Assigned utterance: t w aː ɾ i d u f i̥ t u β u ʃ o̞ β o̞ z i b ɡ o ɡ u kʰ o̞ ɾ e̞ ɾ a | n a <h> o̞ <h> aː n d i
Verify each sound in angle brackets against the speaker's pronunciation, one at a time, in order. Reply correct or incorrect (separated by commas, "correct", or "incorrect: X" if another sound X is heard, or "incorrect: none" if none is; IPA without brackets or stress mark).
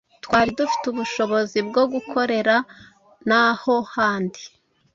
correct, correct